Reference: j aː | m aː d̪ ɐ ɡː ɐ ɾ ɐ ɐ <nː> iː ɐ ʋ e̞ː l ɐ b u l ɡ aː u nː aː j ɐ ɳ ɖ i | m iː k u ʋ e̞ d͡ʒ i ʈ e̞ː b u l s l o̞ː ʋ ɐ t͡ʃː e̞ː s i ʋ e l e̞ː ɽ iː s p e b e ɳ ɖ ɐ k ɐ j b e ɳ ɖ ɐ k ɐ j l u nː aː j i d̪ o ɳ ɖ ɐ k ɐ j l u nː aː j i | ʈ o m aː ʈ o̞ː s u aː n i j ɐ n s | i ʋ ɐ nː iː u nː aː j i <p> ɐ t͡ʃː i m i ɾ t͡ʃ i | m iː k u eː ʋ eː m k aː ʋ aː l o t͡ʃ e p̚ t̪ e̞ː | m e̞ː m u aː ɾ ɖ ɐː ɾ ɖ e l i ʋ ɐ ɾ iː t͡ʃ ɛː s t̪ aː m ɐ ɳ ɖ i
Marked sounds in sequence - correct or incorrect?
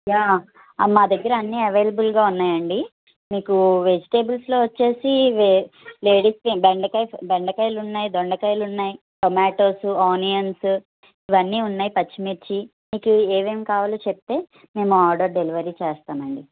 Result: correct, correct

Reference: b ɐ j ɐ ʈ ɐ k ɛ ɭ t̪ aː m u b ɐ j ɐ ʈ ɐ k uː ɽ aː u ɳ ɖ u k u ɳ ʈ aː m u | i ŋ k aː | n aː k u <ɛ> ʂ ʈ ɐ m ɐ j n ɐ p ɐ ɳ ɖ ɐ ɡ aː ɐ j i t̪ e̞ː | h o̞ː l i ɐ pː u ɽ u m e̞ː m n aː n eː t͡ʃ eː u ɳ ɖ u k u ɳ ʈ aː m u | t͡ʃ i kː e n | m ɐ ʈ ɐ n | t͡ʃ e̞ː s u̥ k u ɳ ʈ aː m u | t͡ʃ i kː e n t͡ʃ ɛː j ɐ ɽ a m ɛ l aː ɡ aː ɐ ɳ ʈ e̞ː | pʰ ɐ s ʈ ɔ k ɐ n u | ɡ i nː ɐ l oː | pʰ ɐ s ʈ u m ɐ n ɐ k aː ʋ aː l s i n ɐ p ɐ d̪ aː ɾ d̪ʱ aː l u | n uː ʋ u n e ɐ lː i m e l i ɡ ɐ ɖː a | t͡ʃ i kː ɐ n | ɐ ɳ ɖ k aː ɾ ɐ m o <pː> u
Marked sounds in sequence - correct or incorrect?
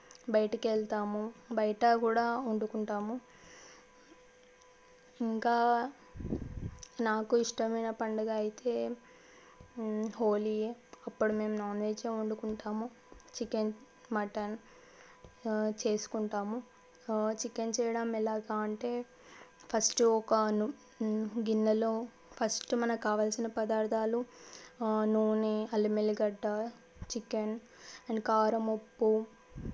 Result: incorrect: i, correct

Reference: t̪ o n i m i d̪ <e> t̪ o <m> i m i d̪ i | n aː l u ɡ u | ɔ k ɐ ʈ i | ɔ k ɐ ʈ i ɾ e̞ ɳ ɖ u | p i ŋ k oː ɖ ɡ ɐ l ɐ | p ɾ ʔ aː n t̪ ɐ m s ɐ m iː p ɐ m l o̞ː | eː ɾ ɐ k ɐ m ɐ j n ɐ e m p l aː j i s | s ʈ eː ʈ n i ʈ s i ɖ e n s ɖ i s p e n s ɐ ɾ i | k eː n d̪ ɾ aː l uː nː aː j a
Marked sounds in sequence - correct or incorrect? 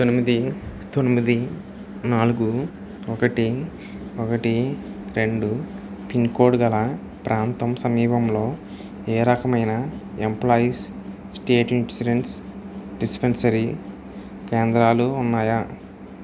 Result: incorrect: i, incorrect: n

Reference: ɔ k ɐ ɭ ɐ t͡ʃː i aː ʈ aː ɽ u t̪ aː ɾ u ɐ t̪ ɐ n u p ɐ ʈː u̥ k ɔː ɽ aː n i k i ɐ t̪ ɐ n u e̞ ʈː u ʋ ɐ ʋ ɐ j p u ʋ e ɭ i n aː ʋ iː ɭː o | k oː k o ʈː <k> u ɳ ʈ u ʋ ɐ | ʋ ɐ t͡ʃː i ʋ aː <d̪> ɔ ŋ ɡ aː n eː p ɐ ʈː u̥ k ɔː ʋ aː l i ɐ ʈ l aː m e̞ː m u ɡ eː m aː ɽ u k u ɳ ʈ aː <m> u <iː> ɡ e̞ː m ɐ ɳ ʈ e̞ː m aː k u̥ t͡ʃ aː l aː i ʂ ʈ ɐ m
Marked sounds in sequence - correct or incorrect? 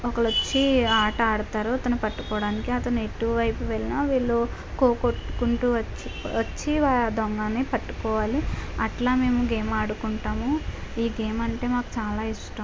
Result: correct, correct, correct, correct

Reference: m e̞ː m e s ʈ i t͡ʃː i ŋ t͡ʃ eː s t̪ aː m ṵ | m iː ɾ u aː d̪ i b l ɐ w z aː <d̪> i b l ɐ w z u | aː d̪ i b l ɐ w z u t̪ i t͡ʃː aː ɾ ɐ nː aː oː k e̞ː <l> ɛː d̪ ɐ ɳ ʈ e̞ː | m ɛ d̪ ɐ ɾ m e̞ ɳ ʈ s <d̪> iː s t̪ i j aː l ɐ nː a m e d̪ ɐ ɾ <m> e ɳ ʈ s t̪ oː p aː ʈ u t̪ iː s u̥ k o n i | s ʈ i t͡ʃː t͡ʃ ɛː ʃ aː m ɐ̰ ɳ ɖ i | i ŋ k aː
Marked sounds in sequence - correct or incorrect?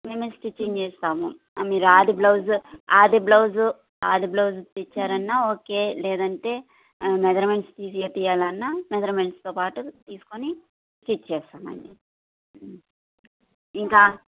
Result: correct, correct, incorrect: t̪, correct

